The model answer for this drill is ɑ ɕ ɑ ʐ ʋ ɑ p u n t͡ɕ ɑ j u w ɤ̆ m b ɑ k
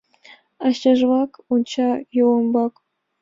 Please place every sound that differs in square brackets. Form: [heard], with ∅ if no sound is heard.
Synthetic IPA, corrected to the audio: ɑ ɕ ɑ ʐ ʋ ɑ [k] u n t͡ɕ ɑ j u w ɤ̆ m b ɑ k